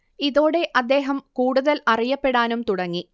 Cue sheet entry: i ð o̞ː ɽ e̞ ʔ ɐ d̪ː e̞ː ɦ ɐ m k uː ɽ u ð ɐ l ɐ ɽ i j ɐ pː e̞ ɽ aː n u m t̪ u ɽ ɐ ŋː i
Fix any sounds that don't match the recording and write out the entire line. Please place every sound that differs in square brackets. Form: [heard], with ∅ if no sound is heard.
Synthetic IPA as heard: i ð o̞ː ɽ e̞ ʔ ɐ d̪ː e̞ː ɦ ɐ m k uː ɽ u ð ɐ l ɐ [r] i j ɐ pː e̞ ɽ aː n u m t̪ u ɽ ɐ ŋː i